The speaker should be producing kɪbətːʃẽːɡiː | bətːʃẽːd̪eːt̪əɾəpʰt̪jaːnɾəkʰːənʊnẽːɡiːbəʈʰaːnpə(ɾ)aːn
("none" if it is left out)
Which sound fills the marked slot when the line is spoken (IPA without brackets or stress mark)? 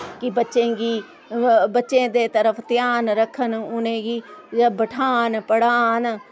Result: ɽ